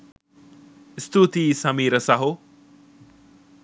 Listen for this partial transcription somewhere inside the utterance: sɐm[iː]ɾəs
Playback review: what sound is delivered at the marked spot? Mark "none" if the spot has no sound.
iː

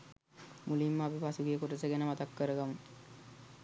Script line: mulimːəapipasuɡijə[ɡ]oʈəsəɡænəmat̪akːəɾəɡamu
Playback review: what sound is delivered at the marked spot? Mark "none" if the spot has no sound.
k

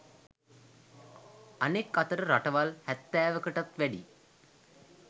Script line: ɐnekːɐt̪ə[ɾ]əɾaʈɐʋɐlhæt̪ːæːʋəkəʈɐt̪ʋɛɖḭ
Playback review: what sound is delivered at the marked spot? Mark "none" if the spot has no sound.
ɾ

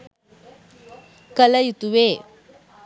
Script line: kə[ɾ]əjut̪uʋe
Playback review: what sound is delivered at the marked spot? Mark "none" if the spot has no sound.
l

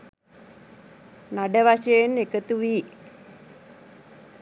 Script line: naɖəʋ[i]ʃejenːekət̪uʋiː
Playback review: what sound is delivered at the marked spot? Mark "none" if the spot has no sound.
a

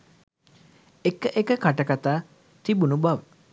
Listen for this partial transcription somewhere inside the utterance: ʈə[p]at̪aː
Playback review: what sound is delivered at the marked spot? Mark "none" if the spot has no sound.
k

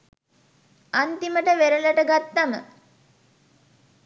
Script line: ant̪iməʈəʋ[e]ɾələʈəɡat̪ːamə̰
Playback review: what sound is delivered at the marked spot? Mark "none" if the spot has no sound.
e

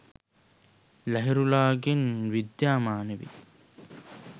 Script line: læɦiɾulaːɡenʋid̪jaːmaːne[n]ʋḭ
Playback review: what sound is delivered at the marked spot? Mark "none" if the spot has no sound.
none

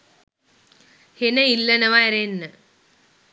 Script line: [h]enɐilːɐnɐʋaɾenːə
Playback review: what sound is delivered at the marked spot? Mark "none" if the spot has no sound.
h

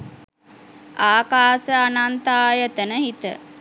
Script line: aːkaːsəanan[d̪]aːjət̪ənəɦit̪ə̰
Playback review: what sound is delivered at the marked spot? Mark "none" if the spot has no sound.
t̪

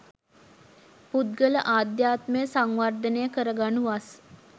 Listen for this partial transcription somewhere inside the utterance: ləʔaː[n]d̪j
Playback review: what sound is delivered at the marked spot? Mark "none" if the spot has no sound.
none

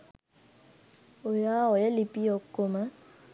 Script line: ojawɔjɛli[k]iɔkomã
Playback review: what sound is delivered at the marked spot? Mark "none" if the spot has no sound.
p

